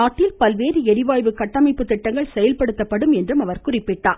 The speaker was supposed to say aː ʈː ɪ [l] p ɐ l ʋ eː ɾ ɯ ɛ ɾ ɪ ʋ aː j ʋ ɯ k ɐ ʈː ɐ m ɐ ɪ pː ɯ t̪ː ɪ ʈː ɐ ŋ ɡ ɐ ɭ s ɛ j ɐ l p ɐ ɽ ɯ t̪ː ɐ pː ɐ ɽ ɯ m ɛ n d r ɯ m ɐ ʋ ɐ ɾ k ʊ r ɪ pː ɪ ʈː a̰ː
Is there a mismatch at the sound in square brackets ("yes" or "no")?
no